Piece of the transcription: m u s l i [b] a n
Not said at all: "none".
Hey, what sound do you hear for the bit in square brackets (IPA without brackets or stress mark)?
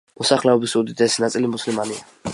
m